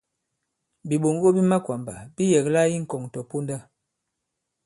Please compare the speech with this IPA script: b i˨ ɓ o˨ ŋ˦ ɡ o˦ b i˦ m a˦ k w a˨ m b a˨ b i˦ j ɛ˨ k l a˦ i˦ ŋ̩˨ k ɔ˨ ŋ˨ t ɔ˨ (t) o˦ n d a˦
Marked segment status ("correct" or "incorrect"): incorrect